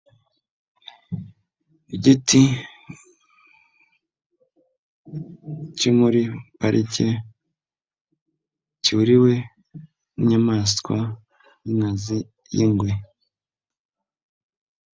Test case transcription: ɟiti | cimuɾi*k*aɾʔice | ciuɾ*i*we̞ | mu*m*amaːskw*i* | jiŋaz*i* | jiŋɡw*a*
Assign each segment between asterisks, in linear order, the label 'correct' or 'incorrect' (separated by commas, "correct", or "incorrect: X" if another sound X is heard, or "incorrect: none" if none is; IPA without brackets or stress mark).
incorrect: p, correct, incorrect: ɲ, incorrect: a, correct, incorrect: e